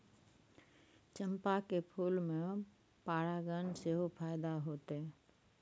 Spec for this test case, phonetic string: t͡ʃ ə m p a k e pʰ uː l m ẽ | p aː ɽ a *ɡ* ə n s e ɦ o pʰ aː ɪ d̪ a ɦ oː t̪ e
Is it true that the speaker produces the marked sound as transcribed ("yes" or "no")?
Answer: yes